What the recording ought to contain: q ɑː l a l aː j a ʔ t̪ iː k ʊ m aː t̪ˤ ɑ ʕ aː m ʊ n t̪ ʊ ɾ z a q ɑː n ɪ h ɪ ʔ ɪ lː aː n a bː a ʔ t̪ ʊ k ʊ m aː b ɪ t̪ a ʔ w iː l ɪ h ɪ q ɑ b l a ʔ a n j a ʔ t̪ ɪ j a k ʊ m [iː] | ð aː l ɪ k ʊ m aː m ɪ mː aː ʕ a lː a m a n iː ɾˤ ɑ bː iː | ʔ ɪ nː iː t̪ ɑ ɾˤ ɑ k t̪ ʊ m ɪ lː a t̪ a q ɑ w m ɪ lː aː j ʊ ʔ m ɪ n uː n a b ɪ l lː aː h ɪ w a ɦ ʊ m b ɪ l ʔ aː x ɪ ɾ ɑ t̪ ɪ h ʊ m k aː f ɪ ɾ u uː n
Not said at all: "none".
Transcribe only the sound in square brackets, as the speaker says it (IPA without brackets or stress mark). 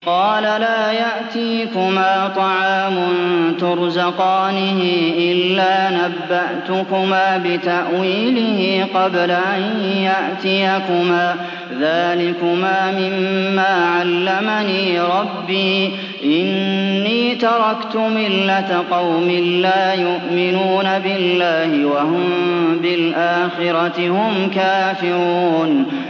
aː